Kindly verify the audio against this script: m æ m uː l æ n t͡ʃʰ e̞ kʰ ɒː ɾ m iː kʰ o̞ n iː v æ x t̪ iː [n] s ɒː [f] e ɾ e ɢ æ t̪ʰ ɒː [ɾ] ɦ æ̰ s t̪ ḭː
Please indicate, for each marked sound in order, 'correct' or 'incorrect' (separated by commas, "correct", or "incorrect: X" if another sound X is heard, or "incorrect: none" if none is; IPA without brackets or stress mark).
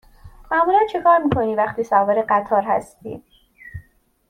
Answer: incorrect: none, incorrect: v, correct